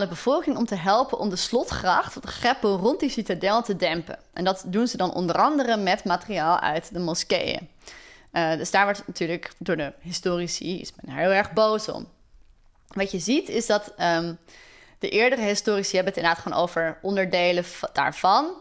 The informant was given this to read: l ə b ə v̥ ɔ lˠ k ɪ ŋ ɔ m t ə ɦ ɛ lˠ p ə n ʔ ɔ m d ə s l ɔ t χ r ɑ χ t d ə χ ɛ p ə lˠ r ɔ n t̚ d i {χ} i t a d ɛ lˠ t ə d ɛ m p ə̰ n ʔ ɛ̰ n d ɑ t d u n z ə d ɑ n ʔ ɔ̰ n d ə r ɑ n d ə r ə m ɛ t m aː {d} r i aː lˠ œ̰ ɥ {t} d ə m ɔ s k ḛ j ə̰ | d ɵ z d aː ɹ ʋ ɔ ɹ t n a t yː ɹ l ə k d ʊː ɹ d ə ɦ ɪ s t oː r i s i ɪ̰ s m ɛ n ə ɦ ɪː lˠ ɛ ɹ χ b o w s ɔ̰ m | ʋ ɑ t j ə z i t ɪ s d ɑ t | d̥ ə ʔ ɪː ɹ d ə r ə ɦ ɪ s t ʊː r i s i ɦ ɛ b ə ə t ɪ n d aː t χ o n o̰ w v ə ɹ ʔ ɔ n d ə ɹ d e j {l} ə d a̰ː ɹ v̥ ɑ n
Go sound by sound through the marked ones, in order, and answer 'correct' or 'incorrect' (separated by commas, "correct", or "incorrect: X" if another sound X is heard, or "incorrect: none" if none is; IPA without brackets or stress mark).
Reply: incorrect: s, incorrect: t, correct, correct